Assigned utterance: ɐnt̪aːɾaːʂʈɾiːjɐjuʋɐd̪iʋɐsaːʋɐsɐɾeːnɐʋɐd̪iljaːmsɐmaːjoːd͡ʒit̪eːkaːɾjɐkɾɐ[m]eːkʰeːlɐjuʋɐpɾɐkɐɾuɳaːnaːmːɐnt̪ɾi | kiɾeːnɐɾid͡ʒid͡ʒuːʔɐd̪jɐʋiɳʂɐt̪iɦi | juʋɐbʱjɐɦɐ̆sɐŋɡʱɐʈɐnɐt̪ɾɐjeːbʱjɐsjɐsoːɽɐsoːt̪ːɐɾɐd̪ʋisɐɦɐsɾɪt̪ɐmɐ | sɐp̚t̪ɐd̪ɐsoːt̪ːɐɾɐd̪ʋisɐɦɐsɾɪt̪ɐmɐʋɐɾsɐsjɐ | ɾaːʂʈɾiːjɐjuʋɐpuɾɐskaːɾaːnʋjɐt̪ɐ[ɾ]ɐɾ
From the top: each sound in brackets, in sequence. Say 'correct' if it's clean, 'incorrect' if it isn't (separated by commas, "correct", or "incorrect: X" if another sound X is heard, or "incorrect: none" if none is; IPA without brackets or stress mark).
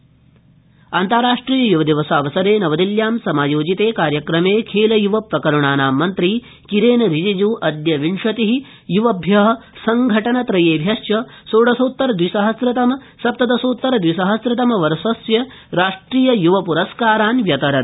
correct, correct